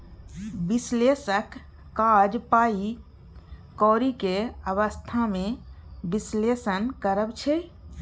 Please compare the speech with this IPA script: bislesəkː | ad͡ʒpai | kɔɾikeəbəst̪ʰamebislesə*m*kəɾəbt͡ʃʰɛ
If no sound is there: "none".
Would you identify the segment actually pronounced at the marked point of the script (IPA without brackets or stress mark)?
n